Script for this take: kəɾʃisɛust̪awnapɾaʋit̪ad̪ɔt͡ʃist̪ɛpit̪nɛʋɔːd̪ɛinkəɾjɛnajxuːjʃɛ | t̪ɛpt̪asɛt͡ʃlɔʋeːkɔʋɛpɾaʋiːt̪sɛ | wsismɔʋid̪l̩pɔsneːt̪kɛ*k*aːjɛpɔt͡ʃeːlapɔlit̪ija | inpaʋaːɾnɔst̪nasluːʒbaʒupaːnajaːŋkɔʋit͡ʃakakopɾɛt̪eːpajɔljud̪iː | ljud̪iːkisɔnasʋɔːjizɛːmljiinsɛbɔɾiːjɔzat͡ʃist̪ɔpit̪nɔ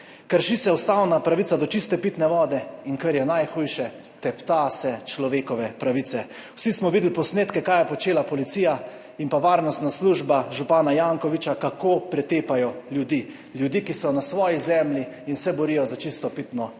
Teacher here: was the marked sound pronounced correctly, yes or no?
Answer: yes